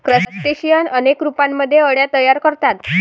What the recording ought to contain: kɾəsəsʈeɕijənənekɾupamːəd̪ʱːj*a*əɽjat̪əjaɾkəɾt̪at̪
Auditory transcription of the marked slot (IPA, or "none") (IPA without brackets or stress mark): e